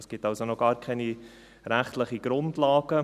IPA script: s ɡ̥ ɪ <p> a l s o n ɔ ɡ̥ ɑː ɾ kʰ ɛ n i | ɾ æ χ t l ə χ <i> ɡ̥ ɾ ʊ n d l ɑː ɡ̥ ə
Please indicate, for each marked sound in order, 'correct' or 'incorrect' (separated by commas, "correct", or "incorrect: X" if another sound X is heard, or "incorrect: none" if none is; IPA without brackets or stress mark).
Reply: incorrect: t, correct